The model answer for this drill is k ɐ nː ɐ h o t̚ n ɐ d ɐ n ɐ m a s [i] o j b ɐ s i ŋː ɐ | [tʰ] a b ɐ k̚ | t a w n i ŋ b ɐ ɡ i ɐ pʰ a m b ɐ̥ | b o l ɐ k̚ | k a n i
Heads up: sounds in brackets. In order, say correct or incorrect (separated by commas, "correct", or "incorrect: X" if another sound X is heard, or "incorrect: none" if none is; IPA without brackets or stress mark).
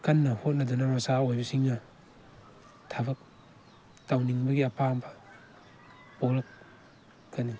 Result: incorrect: a, correct